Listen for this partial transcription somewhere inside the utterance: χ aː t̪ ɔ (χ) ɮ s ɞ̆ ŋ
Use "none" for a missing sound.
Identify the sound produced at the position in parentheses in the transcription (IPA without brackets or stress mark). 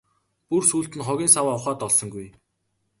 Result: none